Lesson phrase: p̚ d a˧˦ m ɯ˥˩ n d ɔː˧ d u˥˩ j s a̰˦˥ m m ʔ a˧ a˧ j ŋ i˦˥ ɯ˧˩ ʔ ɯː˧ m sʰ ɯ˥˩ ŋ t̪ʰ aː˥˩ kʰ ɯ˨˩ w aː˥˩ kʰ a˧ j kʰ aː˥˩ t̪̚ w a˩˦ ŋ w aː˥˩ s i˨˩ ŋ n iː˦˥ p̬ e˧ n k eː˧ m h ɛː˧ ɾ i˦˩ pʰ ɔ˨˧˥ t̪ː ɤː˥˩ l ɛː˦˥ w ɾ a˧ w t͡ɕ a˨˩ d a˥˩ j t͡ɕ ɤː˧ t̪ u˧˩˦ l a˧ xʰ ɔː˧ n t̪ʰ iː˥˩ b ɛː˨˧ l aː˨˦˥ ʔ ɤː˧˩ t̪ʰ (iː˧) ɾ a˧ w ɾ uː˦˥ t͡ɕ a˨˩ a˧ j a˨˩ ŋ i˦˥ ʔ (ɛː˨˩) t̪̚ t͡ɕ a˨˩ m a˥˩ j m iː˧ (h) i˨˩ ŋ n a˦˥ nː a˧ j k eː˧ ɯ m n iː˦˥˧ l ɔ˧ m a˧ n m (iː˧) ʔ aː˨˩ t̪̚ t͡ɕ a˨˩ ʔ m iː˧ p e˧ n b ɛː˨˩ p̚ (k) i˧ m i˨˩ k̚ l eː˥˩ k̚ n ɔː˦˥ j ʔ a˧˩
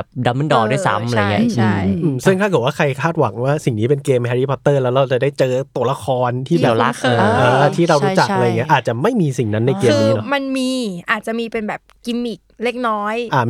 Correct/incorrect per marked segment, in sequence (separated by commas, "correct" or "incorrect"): incorrect, incorrect, incorrect, correct, correct